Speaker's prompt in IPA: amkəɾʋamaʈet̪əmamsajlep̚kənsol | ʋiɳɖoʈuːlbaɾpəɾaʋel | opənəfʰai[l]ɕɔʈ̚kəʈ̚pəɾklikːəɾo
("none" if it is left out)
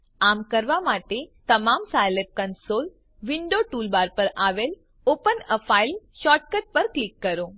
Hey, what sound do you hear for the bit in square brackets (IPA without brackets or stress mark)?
l